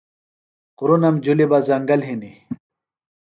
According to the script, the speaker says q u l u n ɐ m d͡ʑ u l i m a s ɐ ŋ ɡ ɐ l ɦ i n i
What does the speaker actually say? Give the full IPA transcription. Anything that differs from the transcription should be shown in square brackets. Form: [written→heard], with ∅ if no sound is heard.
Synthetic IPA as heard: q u [l→ɾ] u n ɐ m d͡ʑ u l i [m→b] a [s→z] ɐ ŋ ɡ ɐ l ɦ i n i